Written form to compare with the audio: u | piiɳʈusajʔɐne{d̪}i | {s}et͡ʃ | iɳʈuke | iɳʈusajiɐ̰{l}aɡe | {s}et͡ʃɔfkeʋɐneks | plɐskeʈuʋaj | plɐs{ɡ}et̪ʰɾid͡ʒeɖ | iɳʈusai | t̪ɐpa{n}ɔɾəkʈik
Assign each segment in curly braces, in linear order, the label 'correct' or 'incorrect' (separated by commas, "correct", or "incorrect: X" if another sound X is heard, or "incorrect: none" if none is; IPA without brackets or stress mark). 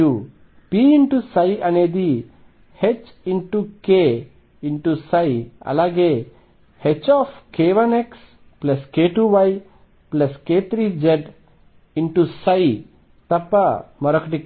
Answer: correct, incorrect: h, correct, incorrect: h, incorrect: k, incorrect: m